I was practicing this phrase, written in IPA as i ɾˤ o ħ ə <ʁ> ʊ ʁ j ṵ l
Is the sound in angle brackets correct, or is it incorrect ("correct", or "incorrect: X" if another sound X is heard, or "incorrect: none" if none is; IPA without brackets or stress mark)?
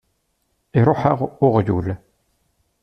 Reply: correct